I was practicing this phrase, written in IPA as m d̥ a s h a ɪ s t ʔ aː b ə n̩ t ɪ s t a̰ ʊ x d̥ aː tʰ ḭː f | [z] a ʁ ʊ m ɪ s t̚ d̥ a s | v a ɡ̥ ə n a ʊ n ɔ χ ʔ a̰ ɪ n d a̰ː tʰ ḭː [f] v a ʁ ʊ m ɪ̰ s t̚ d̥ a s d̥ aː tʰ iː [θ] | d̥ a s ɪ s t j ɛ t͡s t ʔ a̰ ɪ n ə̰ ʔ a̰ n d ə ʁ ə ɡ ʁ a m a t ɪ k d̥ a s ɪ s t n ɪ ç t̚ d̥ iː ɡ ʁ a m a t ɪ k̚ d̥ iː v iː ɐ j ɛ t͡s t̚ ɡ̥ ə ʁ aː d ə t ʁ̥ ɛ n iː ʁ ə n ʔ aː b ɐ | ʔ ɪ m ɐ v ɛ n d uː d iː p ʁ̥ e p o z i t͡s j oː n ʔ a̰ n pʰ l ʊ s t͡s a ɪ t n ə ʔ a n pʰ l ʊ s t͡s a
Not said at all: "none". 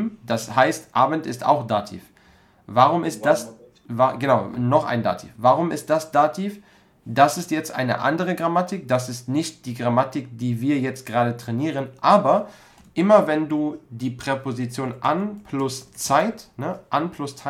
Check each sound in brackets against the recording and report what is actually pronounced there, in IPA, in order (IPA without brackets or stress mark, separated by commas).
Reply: v, f, f